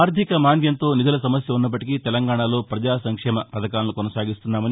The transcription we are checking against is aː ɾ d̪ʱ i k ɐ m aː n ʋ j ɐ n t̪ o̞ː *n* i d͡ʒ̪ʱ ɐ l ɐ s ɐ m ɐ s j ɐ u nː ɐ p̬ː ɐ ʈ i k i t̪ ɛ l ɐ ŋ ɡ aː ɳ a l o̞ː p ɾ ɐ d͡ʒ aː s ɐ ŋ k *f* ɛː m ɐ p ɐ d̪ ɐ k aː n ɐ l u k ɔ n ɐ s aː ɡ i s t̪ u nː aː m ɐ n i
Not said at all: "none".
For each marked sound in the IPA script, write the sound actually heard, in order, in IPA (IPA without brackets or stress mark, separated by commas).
n, ʂ